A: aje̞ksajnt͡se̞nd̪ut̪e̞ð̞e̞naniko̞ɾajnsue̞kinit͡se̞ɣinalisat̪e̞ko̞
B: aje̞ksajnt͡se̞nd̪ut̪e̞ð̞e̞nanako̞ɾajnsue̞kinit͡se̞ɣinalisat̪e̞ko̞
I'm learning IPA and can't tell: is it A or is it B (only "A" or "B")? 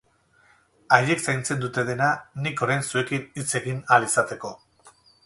A